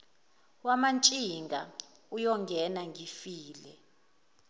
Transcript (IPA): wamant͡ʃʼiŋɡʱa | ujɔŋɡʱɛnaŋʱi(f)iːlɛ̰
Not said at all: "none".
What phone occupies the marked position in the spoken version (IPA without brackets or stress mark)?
f